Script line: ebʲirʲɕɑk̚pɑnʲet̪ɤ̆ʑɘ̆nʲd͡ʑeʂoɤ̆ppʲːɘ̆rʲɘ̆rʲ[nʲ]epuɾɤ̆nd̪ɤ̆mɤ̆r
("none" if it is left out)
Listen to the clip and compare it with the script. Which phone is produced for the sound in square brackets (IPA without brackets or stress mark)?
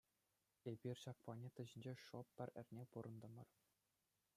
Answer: nʲ